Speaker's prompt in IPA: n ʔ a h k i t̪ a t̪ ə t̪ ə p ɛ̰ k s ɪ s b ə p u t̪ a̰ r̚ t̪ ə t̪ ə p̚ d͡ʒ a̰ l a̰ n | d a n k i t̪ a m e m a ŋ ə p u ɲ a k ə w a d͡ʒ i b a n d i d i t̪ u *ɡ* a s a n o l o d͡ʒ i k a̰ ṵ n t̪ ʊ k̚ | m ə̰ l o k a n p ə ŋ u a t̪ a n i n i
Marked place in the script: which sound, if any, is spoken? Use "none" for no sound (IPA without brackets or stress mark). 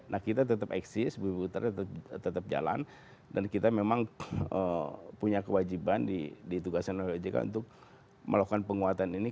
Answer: ɡ